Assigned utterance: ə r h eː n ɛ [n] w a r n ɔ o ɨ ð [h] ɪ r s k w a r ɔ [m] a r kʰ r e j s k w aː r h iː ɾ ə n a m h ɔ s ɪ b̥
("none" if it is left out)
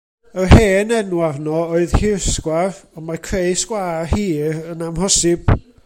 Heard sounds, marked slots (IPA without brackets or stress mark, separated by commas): n, h, m